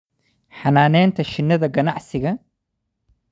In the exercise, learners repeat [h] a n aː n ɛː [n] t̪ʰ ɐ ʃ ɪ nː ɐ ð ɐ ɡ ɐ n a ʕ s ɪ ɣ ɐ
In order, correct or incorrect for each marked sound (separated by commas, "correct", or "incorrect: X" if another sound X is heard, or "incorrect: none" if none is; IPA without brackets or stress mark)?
incorrect: ħ, correct